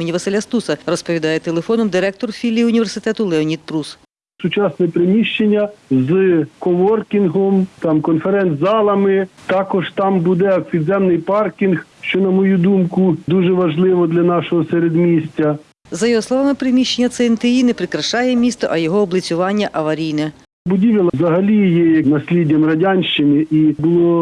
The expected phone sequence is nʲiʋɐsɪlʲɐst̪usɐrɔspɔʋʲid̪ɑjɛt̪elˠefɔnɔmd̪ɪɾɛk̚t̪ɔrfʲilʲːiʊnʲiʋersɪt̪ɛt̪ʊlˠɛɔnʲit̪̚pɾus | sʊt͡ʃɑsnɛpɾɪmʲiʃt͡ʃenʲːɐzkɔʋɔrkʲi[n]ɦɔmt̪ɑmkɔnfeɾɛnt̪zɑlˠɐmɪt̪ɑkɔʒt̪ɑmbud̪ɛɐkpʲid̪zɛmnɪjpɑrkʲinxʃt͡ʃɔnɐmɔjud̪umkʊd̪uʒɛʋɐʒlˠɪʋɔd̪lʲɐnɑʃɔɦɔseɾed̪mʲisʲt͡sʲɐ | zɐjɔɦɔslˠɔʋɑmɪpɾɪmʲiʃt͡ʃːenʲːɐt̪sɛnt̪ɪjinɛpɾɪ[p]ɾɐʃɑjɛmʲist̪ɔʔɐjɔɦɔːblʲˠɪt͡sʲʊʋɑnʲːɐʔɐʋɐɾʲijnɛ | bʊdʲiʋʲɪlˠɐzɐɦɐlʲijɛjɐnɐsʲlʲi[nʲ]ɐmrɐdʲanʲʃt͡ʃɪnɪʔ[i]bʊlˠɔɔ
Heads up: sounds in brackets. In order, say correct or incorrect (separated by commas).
correct, incorrect, incorrect, correct